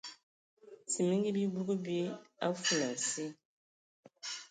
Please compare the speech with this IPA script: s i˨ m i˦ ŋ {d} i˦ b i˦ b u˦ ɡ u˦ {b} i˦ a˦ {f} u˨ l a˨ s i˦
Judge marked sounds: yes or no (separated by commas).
no, yes, yes